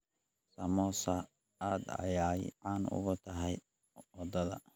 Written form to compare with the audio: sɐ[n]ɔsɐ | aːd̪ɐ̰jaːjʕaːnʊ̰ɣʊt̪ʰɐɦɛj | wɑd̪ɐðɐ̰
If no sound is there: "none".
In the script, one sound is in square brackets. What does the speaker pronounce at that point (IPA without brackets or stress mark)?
m